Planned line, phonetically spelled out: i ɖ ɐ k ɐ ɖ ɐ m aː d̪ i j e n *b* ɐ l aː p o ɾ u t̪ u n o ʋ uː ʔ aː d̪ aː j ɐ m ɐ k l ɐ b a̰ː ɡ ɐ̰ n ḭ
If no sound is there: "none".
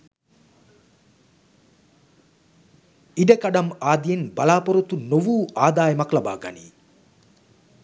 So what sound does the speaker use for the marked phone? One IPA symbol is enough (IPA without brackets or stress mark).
b